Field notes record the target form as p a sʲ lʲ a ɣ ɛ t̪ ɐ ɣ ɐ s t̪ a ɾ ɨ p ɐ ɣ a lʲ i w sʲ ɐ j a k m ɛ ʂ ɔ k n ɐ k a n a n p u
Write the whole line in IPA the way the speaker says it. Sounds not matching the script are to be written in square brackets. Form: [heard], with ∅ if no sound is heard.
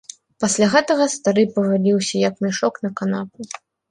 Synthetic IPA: p a sʲ lʲ a ɣ ɛ t̪ ɐ ɣ ɐ s t̪ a ɾ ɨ p ɐ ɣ a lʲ i w sʲ ɐ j a k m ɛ ʂ ɔ k n ɐ k a n a [∅] p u